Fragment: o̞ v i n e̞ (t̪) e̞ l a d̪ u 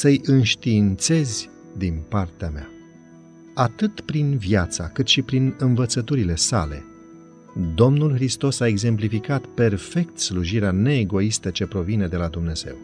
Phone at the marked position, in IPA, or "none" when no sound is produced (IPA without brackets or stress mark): d̪